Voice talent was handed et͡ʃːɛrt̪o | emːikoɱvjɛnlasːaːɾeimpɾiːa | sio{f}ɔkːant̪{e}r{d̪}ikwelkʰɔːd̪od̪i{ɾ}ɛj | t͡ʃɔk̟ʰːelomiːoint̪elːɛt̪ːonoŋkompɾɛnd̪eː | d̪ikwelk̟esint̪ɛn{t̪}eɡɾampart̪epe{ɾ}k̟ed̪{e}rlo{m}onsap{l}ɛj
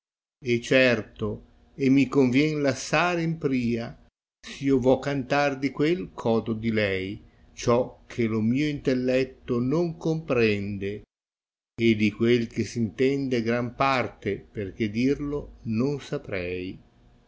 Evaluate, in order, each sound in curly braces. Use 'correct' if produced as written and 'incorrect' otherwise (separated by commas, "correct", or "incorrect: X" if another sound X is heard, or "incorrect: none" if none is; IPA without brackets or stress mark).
incorrect: v, incorrect: a, correct, incorrect: l, incorrect: d̪, incorrect: r, incorrect: i, incorrect: n, incorrect: ɾ